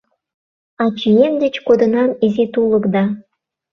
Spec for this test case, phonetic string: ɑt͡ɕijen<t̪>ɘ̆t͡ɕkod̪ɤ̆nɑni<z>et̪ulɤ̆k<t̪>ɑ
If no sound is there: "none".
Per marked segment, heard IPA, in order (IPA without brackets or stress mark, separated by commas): d̪, z, d̪